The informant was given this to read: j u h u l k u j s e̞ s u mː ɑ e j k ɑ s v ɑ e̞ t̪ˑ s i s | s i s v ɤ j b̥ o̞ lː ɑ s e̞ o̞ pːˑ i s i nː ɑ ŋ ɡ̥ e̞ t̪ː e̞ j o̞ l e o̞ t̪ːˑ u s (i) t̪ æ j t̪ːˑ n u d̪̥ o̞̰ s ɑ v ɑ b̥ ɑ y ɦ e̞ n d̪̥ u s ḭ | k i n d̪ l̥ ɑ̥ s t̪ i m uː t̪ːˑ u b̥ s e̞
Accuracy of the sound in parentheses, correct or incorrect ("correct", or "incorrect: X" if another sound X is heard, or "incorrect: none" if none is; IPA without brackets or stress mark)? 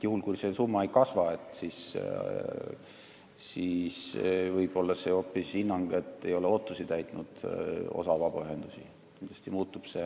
correct